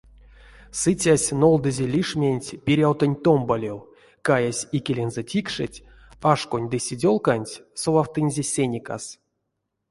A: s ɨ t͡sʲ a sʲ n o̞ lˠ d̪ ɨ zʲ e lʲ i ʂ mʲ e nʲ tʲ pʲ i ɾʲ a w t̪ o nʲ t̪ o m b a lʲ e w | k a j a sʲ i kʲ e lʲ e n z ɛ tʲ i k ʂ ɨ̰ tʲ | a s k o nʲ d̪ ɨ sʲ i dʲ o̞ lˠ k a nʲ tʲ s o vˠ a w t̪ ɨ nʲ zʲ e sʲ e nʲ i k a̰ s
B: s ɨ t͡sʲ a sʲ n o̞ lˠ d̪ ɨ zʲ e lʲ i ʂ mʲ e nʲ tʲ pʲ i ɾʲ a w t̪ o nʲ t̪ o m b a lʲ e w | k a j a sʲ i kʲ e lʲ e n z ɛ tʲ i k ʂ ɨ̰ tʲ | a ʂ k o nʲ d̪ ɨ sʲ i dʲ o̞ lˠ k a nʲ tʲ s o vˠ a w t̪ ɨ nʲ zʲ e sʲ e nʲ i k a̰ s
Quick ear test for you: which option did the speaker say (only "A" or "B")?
B